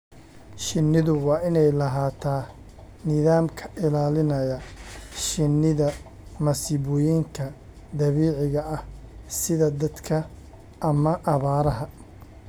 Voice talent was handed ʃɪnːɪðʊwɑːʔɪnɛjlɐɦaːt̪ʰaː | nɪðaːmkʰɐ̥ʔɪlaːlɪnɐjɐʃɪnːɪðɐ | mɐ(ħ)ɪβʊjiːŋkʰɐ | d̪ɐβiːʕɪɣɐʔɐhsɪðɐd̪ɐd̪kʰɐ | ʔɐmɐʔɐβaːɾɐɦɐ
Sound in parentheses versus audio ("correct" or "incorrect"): incorrect